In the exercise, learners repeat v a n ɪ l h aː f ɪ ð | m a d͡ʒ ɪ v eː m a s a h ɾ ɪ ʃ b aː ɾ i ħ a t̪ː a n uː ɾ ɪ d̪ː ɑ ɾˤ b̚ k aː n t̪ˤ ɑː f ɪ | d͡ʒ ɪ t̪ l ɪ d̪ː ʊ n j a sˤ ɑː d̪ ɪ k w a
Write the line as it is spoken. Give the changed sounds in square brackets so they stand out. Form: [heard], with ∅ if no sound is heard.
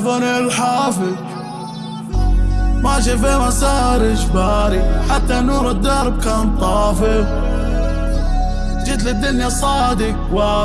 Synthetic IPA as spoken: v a n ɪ l [ħ] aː f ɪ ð | m a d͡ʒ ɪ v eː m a s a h ɾ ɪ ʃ b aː ɾ i ħ a t̪ː a n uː ɾ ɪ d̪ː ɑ ɾˤ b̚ k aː n t̪ˤ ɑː f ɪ | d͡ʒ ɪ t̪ l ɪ d̪ː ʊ n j a sˤ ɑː d̪ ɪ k w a